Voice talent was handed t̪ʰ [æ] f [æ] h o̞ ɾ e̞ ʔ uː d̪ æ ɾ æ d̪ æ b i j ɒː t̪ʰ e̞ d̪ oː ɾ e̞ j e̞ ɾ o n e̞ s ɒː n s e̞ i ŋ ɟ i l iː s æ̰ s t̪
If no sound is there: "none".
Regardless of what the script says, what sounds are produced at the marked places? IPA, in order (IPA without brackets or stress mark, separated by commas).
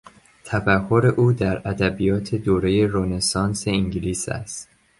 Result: æ, æ